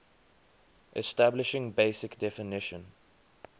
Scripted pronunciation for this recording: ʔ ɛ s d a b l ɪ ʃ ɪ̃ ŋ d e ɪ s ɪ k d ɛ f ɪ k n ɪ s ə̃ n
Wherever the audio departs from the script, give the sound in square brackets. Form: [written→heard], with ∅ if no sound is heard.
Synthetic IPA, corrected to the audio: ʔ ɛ s [d→t] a b l ɪ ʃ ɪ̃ ŋ [d→b] e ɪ s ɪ k d ɛ f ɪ [k→∅] n ɪ [s→ʃ] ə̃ n